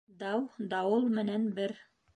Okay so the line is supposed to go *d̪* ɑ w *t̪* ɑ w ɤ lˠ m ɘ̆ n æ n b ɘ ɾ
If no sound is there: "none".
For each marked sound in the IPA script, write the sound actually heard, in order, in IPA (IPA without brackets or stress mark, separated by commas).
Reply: d̪, d̪